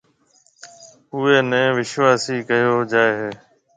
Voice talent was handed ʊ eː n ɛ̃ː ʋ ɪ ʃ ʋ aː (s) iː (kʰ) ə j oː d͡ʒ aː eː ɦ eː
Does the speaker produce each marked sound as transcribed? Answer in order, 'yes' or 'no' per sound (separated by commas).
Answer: yes, no